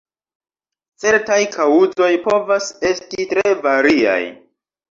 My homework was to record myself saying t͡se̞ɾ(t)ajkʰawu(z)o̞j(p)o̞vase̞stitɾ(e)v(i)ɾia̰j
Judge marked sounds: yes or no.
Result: yes, yes, yes, yes, no

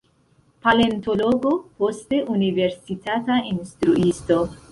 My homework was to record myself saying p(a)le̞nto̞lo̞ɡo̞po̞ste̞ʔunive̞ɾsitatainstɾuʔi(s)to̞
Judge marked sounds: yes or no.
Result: yes, yes

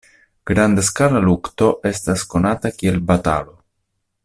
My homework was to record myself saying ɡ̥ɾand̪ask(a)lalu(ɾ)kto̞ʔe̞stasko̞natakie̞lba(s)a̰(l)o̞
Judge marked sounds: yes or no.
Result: yes, no, no, yes

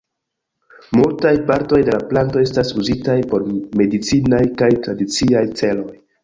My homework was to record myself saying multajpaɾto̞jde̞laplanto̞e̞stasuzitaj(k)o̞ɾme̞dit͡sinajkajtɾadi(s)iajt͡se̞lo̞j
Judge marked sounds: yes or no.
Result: no, no

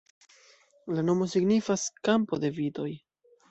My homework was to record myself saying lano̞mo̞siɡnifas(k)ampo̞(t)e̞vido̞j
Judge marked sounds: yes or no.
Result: yes, no

